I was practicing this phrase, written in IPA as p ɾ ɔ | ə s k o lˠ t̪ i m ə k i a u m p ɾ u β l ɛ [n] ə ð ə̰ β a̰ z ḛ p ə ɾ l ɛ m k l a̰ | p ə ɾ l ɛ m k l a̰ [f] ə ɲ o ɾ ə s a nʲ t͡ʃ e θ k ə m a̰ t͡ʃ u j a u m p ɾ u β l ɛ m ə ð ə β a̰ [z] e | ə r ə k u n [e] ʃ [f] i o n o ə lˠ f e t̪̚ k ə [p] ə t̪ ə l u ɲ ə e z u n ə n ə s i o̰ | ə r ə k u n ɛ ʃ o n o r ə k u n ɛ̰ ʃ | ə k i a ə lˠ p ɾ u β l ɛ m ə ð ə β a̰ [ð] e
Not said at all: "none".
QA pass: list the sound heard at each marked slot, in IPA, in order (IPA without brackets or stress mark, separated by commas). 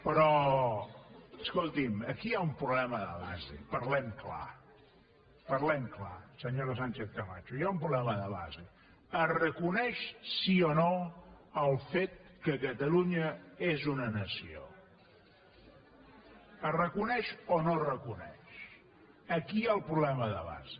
m, s, z, ɛ, s, k, z